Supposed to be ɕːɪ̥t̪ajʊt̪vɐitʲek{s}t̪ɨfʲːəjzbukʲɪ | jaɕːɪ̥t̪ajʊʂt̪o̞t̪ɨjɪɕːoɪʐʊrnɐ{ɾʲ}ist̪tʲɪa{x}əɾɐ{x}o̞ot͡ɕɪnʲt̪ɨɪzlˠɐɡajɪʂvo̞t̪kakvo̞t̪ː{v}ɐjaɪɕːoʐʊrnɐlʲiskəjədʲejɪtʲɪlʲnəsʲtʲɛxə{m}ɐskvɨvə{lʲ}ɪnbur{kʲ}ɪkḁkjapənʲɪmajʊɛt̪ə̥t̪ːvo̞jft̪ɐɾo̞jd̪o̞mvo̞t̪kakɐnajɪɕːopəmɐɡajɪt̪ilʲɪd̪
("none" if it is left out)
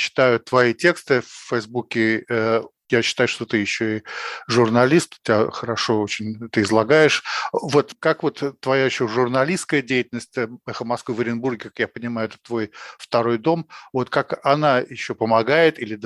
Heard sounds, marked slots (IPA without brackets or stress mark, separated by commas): s, lʲ, x, ʂ, v, m, ɾʲ, ɡʲ